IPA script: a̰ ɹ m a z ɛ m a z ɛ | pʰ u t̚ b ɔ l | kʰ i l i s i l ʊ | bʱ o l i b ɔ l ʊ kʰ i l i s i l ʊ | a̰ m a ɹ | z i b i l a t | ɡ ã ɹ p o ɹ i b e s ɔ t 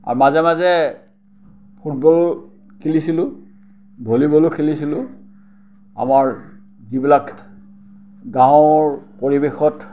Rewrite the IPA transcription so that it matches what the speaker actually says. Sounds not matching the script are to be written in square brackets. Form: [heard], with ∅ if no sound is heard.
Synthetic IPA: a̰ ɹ m a z ɛ m a z ɛ | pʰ u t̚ b ɔ l | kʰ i l i s i l ʊ | bʱ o l i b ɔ l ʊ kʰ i l i s i l ʊ | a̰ m a ɹ | z i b i l a [k] | ɡ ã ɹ p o ɹ i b e [x] ɔ t

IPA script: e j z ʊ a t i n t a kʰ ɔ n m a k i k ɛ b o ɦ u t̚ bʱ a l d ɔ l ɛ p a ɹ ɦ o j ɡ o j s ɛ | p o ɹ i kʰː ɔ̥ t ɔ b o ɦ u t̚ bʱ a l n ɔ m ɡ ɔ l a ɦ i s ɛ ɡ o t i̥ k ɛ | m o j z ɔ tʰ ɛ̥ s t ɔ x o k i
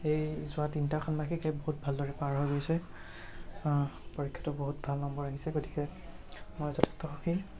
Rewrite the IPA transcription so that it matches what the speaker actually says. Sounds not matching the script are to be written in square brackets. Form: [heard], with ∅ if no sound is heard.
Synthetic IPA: e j z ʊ a t i n t a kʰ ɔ n m a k i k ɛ b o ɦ u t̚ bʱ a l d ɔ [ɹ] ɛ p a ɹ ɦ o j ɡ o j s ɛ | p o ɹ i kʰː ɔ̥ t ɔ b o ɦ u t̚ bʱ a l n ɔ m [b] ɔ [ɹ] a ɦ i s ɛ ɡ o t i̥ k ɛ | m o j z ɔ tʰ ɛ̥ s t ɔ x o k i

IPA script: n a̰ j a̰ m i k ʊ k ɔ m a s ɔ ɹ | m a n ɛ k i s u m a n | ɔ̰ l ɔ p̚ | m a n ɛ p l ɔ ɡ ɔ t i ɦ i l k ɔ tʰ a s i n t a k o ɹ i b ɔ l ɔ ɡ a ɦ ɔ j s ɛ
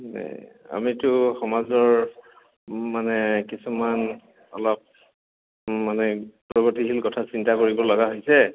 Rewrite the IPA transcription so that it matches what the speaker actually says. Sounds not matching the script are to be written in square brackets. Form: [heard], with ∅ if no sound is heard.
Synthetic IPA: n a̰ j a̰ m i [t] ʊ [x] ɔ m a [z] ɔ ɹ | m a n ɛ k i s u m a n | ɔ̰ l ɔ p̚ | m a n ɛ p [ɹ] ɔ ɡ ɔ t i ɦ i l k ɔ tʰ a s i n t a k o ɹ i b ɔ l ɔ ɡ a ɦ [o] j s ɛ

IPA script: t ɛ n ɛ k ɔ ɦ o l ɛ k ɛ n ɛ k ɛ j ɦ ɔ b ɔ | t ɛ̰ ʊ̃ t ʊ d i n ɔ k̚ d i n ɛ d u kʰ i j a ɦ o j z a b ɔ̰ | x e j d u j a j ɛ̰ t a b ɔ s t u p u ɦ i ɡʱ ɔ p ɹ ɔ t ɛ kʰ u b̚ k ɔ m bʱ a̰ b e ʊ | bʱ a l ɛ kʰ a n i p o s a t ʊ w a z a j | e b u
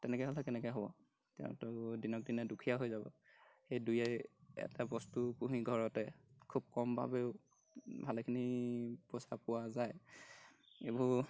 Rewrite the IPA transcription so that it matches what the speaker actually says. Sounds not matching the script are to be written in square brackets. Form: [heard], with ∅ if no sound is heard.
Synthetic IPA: t ɛ n ɛ k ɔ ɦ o l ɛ k ɛ n ɛ k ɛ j ɦ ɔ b ɔ | t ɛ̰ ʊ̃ t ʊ d i n ɔ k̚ d i n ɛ d u kʰ i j a ɦ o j z a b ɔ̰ | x e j d u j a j ɛ̰ t a b ɔ s t u p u ɦ i ɡʱ ɔ [∅] ɹ ɔ t ɛ kʰ u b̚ k ɔ m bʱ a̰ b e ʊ | bʱ a l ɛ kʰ [i] n i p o s a [p] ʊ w a z a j | e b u

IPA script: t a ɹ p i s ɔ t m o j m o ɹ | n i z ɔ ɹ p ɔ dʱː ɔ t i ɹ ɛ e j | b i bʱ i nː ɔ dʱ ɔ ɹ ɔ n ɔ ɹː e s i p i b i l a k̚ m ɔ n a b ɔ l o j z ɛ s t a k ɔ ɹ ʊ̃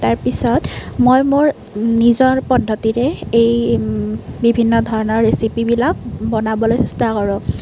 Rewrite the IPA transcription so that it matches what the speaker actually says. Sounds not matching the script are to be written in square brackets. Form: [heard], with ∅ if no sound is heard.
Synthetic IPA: t a ɹ p i s ɔ t m o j m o ɹ | n i z ɔ ɹ p ɔ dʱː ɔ t i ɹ ɛ e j | b i bʱ i nː ɔ dʱ ɔ ɹ ɔ n ɔ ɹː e s i p i b i l a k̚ [b] ɔ n a b ɔ l o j [s] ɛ s t a k ɔ ɹ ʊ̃

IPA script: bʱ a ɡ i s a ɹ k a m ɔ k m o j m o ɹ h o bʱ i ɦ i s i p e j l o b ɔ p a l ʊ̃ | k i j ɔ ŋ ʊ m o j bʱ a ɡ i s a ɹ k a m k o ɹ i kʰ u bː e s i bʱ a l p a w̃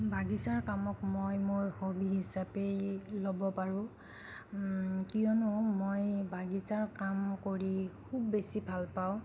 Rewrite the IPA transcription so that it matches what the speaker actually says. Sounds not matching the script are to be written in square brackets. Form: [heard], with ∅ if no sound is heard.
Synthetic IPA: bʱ a ɡ i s a ɹ k a m ɔ k m o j m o ɹ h o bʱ i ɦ i s [a] p e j l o b ɔ p a [ɹ] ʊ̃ | k i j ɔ [n] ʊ m o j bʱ a ɡ i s a ɹ k a m k o ɹ i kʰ u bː e s i bʱ a l p a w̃

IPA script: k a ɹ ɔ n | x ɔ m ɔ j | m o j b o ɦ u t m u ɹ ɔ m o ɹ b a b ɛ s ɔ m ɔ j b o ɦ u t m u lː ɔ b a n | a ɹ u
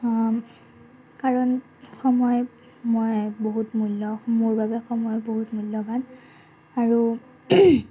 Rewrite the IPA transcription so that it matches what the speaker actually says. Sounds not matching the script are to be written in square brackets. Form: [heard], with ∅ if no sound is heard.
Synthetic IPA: k a ɹ ɔ n | x ɔ m ɔ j | m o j b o ɦ u t m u [l] ɔ m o ɹ b a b ɛ [x] ɔ m ɔ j b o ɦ u t m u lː ɔ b a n | a ɹ u

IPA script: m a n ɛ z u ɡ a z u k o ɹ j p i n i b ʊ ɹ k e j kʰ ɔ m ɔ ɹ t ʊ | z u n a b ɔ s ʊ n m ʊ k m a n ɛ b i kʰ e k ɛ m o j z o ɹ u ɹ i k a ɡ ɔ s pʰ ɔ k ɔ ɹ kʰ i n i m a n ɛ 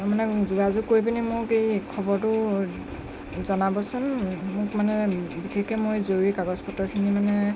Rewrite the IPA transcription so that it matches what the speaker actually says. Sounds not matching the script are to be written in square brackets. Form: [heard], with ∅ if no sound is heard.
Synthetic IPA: m a n ɛ z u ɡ a z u k o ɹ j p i n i [m] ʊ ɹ k e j kʰ ɔ [b] ɔ ɹ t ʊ | z [ɔ] n a b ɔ s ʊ n m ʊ k m a n ɛ b i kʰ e k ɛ m o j z o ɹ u ɹ i k a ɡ ɔ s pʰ ɔ [t] ɔ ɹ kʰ i n i m a n ɛ

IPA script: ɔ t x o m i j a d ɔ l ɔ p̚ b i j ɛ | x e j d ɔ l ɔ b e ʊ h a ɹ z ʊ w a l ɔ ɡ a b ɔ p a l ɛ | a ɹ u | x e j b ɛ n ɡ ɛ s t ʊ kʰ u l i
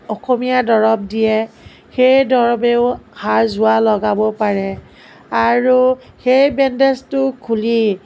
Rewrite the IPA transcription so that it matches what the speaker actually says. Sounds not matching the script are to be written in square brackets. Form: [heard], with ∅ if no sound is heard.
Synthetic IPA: ɔ [∅] x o m i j a d ɔ [ɹ] ɔ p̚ [d] i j ɛ | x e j d ɔ [ɹ] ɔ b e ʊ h a ɹ z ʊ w a l ɔ ɡ a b ɔ p a [ɹ] ɛ | a ɹ u | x e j b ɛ n [d] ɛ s t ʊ kʰ u l i

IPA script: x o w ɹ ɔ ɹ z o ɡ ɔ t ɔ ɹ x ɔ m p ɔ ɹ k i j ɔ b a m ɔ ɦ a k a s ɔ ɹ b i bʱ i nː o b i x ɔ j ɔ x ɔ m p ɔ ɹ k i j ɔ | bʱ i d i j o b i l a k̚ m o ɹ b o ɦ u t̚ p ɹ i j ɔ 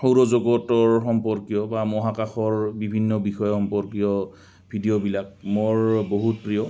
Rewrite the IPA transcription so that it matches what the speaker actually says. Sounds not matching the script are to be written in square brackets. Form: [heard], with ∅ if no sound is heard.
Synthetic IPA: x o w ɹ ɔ [∅] z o ɡ ɔ t ɔ ɹ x ɔ m p ɔ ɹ k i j ɔ b a m ɔ ɦ a k a [x] ɔ ɹ b i bʱ i nː [ɔ] b i x ɔ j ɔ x ɔ m p ɔ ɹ k i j ɔ | bʱ i d i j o b i l a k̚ m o ɹ b o ɦ u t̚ p ɹ i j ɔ

